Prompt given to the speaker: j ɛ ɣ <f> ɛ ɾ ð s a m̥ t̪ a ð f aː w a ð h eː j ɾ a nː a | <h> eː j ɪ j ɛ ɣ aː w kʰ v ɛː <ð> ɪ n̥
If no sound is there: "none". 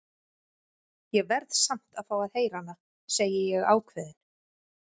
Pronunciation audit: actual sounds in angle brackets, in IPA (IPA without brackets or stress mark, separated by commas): v, s, ð